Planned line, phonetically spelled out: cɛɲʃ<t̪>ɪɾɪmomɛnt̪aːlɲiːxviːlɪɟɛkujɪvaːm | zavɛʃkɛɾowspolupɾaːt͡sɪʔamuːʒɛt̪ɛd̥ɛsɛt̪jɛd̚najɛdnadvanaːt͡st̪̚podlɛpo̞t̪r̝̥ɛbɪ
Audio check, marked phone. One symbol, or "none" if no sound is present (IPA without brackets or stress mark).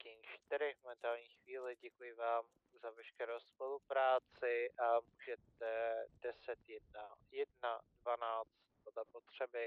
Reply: t̪